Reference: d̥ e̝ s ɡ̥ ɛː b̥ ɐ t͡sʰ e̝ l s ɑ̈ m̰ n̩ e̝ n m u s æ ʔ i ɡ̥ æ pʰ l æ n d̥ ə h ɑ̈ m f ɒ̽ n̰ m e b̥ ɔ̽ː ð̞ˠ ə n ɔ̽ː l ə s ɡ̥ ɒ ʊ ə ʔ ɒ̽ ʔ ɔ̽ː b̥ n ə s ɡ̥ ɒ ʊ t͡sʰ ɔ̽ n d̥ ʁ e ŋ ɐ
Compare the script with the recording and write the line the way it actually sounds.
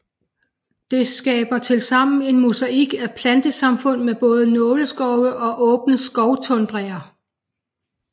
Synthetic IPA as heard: d̥ e̝ s ɡ̥ ɛː b̥ ɐ t͡sʰ e̝ l s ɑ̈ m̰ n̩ e̝ n m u s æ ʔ i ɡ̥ æ pʰ l æ n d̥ ə s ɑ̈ m f ɔ̽ n̰ m e b̥ ɔ̽ː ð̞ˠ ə n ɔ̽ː l ə s ɡ̥ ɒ ʊ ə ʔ ɒ̽ ʔ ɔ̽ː b̥ n ə s ɡ̥ ɒ ʊ t͡sʰ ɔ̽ n d̥ ʁ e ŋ ɐ